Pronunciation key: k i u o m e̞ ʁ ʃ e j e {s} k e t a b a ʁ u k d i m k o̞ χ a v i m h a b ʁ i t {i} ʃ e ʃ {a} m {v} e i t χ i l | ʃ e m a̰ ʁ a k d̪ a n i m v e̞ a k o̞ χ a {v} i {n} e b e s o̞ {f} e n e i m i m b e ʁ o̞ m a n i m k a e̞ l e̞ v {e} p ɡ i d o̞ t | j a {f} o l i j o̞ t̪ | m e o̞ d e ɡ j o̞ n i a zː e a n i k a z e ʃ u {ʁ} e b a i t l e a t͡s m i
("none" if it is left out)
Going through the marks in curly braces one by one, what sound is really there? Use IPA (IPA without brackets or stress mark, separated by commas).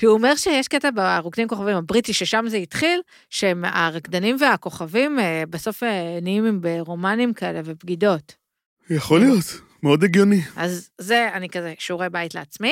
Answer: ʃ, i, a, z, v, m, f, e, χ, ʁ